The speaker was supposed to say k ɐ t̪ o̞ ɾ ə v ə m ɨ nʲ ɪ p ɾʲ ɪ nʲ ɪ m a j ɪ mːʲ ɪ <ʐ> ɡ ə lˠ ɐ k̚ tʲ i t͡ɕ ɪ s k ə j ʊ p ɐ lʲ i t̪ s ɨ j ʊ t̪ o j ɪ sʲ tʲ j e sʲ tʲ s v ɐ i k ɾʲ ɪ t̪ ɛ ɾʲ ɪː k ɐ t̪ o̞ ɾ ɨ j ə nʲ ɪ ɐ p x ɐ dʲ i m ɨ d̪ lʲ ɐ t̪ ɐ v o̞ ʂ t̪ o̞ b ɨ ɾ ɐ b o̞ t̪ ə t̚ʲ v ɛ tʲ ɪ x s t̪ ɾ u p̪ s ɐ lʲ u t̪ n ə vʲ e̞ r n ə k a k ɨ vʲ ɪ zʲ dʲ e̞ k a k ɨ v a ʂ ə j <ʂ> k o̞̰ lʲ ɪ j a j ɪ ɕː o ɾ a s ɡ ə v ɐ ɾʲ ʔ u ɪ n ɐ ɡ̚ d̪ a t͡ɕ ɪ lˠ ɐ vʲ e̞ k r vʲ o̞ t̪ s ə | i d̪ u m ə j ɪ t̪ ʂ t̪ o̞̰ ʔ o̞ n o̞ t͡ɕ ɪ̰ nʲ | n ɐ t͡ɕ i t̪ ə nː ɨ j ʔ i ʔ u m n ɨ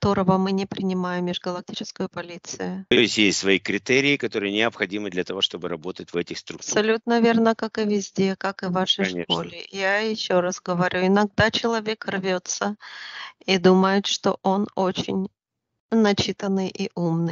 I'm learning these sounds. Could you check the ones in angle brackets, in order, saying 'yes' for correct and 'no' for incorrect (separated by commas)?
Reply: yes, yes